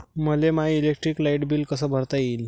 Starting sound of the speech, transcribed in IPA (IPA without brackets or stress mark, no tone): m